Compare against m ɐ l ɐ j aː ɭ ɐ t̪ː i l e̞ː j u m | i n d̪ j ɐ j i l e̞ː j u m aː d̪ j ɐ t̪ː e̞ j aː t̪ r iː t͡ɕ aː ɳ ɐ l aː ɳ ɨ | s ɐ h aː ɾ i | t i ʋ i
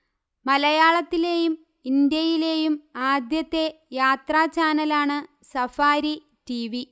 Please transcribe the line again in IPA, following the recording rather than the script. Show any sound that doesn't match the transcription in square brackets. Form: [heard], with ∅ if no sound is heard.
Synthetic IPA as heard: m ɐ l ɐ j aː ɭ ɐ t̪ː i l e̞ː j u m | i n d̪ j ɐ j i l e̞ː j u m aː d̪ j ɐ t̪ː e̞ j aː t̪ r [aː] t͡ɕ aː [n] ɐ l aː ɳ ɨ | s ɐ [f] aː ɾ i | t i ʋ i